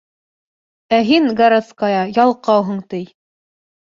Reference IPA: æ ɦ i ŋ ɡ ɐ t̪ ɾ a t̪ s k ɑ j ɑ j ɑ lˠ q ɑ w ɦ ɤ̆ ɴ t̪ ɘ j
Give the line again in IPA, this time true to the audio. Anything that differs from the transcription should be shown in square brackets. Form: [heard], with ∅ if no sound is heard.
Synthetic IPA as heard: æ ɦ i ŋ ɡ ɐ [∅] ɾ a t̪ s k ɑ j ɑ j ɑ lˠ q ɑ w ɦ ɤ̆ ɴ t̪ ɘ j